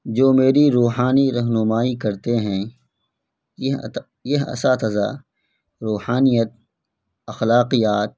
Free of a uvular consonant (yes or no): no